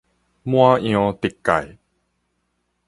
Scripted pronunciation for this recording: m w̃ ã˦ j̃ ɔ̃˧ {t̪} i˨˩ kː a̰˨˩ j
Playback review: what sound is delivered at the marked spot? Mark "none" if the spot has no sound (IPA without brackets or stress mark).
t̪